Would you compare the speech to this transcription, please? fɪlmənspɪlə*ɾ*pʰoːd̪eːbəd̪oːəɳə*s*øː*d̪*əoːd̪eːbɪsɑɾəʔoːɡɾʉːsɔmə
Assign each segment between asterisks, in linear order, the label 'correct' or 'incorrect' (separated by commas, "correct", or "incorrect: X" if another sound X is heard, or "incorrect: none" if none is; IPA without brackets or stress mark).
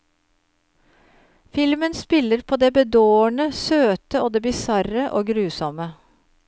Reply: correct, correct, incorrect: t̪